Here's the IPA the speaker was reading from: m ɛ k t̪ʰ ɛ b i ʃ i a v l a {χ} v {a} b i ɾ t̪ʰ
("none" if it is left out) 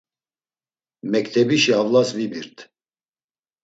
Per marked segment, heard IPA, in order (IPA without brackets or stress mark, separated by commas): s, i